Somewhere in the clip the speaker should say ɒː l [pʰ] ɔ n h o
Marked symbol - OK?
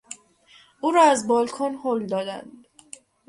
no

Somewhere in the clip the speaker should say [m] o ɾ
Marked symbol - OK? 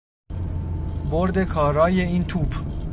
no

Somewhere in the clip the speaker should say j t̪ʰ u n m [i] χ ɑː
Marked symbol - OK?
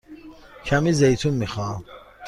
yes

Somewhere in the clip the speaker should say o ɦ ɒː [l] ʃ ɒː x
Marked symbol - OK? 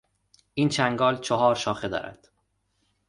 no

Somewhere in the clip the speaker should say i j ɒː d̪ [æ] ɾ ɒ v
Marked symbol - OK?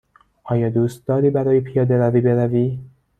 no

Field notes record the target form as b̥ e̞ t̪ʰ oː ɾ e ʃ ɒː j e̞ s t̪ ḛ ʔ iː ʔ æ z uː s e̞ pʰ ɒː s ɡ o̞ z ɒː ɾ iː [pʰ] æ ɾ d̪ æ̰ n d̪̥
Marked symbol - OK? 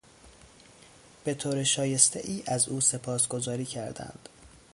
no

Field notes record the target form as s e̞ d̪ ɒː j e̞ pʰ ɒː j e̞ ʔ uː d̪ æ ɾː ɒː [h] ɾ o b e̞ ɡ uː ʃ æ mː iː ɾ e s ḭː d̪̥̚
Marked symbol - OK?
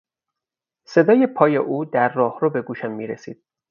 yes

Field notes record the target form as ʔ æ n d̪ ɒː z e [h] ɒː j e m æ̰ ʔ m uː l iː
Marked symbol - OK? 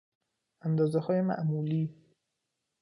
yes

